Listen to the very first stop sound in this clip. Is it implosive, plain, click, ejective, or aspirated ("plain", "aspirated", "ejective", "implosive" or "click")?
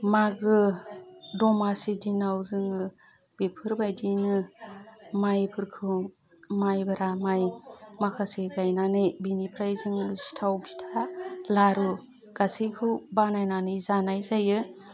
plain